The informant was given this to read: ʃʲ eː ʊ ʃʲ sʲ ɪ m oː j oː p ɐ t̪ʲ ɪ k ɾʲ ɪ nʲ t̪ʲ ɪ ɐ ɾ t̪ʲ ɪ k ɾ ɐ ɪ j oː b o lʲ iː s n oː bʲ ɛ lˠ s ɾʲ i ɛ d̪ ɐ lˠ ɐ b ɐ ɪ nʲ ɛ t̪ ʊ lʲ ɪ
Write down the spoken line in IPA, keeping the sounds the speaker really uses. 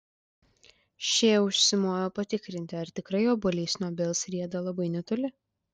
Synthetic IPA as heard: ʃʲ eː ʊ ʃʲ sʲ ɪ m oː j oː p ɐ t̪ʲ ɪ k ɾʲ ɪ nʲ t̪ʲ ɪ ɐ ɾ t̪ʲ ɪ k ɾ ɐ ɪ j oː b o lʲ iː s n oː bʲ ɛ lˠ s ɾʲ i ɛ d̪ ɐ lˠ ɐ b ɐ ɪ nʲ ɛ t̪ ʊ lʲ ɪ